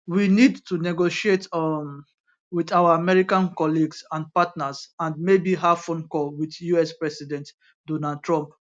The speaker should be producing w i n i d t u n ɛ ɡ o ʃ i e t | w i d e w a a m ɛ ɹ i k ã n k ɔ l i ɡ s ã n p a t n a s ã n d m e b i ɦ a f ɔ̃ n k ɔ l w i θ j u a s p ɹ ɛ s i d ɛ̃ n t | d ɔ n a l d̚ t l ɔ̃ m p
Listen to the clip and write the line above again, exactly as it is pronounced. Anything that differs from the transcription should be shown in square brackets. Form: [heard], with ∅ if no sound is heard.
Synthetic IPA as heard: w i n i d t u n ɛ ɡ o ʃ i e t | w i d [a] w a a m ɛ ɹ i k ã n k ɔ l i ɡ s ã n p a t n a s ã n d m e b i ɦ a f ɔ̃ n k ɔ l w i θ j u [ɛ] s p ɹ ɛ s i d ɛ̃ n t | d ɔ n a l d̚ t [ɹ] ɔ̃ m p